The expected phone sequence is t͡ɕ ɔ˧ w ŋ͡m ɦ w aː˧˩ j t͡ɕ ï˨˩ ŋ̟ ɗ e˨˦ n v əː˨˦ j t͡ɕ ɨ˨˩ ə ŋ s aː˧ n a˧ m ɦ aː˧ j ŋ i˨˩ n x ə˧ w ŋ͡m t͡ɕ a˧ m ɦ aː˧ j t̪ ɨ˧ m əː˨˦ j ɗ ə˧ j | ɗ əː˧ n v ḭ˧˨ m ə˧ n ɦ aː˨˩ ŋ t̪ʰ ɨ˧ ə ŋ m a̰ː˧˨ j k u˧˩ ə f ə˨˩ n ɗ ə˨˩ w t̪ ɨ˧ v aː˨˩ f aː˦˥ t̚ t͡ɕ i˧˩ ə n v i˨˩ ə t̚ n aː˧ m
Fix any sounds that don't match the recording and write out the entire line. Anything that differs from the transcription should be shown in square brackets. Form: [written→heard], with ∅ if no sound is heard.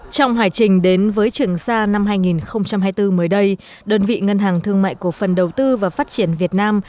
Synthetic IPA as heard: t͡ɕ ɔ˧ w ŋ͡m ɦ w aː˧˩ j t͡ɕ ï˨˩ ŋ̟ ɗ e˨˦ n v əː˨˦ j t͡ɕ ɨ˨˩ ə ŋ s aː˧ n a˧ m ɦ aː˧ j ŋ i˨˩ n x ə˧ w ŋ͡m t͡ɕ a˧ m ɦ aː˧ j t̪ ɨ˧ m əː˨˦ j ɗ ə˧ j | ɗ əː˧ n v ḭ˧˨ [m→ŋ] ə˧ n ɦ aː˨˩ ŋ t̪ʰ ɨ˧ ə ŋ m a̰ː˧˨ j k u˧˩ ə f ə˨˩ n ɗ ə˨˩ w t̪ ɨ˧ v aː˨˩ f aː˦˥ t̚ t͡ɕ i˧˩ ə n v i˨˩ ə t̚ n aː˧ m